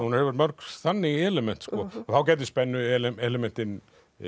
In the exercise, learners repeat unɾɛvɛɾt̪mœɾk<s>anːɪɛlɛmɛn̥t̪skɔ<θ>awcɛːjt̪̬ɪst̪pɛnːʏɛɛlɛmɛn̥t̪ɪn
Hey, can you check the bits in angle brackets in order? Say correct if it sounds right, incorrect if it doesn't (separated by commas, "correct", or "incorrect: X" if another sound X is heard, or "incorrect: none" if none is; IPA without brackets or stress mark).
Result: incorrect: θ, correct